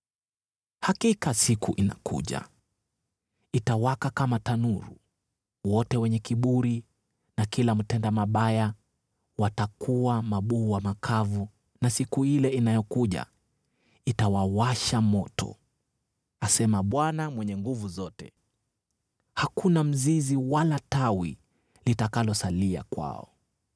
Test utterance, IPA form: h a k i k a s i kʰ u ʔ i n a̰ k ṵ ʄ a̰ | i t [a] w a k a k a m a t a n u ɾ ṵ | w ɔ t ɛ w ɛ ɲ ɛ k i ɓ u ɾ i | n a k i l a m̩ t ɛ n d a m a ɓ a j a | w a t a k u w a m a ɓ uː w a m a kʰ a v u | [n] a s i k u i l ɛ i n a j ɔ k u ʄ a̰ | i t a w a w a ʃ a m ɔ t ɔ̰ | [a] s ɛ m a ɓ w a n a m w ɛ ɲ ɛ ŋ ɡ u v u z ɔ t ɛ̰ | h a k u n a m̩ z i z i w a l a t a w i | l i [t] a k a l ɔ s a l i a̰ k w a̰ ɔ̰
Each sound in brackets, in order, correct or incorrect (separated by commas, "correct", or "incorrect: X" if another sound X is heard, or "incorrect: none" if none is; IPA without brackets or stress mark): correct, correct, correct, correct